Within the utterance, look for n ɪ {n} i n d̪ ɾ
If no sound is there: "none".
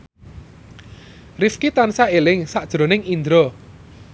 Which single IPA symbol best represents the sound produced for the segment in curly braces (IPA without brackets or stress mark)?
ŋ